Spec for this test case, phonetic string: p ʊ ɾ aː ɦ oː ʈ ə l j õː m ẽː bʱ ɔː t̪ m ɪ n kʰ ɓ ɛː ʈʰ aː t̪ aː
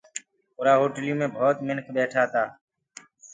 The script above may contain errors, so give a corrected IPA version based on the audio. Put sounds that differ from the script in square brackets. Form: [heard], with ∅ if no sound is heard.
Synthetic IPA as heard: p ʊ ɾ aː ɦ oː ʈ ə l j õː m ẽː bʱ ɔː t̪ m ɪ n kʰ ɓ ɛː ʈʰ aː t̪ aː